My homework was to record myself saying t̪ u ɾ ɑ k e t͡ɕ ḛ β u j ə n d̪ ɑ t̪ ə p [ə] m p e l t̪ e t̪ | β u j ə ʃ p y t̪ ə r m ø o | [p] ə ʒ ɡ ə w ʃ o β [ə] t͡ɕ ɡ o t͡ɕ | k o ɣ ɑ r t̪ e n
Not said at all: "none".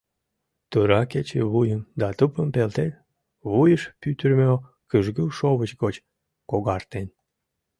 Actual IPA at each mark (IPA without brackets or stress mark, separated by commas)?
ə, k, ə